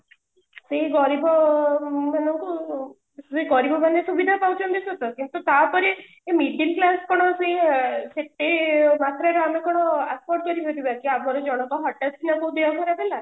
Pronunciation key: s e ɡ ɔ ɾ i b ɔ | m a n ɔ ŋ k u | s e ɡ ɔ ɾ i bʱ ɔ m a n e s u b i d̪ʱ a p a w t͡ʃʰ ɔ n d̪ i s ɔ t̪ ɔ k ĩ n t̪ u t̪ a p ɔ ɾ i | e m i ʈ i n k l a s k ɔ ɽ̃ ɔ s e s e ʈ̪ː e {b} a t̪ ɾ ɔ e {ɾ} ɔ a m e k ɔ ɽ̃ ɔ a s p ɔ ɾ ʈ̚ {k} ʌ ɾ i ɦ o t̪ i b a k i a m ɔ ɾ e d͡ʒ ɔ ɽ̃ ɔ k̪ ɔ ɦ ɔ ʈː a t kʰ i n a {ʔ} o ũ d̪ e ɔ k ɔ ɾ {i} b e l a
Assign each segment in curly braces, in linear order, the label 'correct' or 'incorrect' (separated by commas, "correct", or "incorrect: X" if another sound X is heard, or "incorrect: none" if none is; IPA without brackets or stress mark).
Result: incorrect: m, correct, correct, incorrect: k, incorrect: a